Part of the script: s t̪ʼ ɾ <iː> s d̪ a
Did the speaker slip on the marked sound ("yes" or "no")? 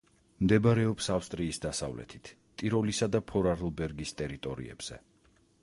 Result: no